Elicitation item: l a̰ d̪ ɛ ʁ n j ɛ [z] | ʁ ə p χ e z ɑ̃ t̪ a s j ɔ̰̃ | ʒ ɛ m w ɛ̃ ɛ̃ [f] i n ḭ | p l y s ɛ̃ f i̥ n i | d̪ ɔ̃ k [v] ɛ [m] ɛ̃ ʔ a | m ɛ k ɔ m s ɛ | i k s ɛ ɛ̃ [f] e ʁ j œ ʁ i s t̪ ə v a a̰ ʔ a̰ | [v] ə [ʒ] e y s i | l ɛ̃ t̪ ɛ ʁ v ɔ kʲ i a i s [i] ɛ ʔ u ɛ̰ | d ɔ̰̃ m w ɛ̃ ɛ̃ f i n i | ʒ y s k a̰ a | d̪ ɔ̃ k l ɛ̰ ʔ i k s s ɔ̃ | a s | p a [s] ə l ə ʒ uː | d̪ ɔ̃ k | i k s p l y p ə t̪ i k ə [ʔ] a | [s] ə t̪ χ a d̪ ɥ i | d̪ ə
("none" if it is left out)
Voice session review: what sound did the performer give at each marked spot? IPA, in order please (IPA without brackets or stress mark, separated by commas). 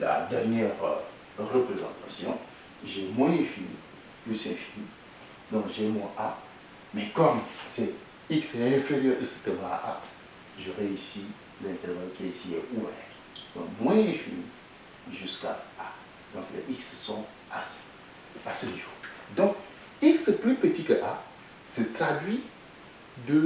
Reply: ʁ, f, ʒ, m, f, ʒ, ʁ, i, s, ʔ, s